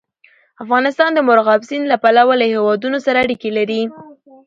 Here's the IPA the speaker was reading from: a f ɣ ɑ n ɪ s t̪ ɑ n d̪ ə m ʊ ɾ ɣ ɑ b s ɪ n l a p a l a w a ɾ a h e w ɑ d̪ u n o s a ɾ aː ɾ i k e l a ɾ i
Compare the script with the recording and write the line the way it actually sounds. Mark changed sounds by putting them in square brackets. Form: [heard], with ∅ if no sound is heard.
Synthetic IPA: a f ɣ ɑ n ɪ s t̪ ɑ n d̪ ə m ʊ ɾ ɣ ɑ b s [i] n l a p a l a w a [l] a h e w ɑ d̪ u n o s a ɾ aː [ɽ] i k e l a ɾ i